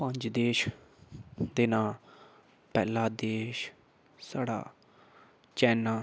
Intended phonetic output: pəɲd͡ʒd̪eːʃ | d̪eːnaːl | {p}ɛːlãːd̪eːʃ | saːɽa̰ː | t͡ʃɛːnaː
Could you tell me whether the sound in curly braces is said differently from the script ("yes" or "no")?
no